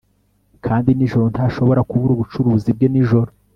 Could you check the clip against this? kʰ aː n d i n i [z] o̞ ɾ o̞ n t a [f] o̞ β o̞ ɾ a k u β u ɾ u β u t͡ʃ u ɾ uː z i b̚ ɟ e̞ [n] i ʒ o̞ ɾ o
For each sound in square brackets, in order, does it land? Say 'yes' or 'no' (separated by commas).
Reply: no, no, yes